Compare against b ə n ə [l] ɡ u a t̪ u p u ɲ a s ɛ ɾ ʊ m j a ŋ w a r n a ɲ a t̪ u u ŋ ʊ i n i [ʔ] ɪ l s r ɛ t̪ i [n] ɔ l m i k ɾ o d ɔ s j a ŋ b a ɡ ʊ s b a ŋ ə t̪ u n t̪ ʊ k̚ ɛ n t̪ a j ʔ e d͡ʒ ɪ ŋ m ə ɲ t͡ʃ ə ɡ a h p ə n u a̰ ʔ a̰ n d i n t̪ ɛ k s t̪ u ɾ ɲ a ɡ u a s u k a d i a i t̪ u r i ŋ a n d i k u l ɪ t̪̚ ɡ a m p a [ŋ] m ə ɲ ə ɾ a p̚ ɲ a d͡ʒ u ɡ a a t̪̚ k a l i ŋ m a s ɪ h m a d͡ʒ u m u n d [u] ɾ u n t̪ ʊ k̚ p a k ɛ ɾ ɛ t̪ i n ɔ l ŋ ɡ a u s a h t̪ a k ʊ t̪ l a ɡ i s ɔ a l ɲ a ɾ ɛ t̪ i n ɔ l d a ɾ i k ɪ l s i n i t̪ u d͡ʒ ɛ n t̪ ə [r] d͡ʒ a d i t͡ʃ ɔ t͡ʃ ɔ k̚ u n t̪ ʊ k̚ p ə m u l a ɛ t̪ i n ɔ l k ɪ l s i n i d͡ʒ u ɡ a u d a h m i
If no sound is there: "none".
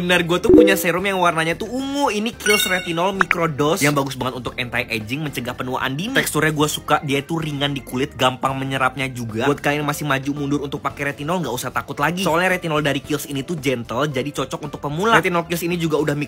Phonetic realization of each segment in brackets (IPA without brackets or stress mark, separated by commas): r, k, n, ŋ, ʊ, l